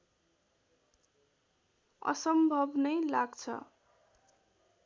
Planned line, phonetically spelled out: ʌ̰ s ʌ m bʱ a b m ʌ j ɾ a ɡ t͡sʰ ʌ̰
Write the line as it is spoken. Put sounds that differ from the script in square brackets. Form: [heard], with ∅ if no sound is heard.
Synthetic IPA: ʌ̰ s ʌ m bʱ [ʌ] b [n] ʌ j [l] a ɡ t͡sʰ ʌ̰